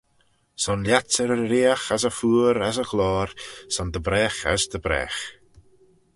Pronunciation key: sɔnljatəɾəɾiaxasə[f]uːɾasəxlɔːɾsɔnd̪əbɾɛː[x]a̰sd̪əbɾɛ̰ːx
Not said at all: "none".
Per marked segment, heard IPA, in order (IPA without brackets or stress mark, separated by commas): f, x